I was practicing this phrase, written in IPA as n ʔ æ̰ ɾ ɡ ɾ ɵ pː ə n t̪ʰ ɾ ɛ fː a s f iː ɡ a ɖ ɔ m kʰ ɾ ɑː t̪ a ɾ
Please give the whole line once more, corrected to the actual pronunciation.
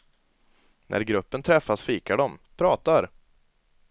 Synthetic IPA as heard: n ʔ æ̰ ɾ ɡ ɾ ɵ pː ə n t̪ʰ ɾ ɛ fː a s f iː k a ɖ ɔ m pʰ ɾ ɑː t̪ a ɾ